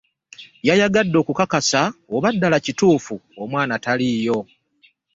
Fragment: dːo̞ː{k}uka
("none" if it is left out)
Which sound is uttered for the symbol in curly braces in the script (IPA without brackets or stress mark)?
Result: k